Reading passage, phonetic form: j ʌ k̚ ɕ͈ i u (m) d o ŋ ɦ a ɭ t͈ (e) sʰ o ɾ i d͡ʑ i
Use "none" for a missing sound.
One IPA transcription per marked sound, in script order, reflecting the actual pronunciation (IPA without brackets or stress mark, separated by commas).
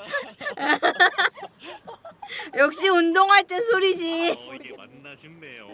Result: n, e